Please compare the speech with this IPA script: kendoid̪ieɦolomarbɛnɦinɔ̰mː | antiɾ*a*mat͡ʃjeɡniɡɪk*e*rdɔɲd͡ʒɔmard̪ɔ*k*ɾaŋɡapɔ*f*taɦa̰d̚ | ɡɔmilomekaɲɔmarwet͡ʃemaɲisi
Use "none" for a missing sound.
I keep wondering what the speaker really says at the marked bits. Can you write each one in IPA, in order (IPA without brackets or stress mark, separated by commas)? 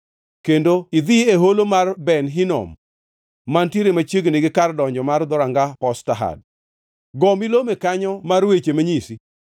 e, a, none, s